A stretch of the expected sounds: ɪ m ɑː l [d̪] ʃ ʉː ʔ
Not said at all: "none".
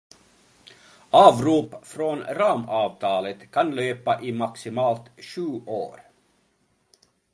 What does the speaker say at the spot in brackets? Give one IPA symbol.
t̪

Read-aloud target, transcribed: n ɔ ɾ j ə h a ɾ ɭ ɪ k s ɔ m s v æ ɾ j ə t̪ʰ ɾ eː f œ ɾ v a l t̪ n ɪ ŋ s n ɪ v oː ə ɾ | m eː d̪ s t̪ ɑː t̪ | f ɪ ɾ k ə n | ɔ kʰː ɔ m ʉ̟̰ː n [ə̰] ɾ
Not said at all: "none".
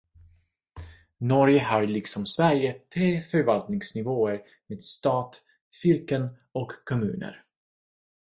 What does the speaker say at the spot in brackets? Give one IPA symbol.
ə̰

